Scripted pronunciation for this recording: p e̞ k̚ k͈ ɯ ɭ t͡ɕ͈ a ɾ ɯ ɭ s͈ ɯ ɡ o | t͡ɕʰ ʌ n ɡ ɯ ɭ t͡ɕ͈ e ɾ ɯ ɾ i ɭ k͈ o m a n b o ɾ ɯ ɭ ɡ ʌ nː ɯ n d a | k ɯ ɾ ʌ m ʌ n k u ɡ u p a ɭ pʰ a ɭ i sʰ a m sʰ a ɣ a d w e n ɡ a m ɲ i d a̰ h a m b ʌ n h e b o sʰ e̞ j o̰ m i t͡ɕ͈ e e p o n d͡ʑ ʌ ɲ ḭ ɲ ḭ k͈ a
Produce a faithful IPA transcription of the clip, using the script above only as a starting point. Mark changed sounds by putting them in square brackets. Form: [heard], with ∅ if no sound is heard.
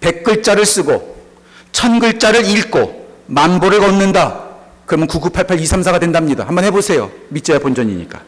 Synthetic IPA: p e̞ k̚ k͈ ɯ ɭ t͡ɕ͈ a ɾ ɯ ɭ s͈ ɯ ɡ o | t͡ɕʰ ʌ n ɡ ɯ ɭ t͡ɕ͈ [a] ɾ ɯ ɾ i ɭ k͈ o m a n b o ɾ ɯ ɭ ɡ ʌ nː ɯ n d a | k ɯ ɾ ʌ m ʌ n k u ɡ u [pʰ] a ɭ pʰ a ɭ i sʰ a m sʰ a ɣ a d w e n [d] a m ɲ i d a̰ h a m b ʌ n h e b o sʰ e̞ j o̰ m i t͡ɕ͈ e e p o n d͡ʑ ʌ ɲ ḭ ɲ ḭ k͈ a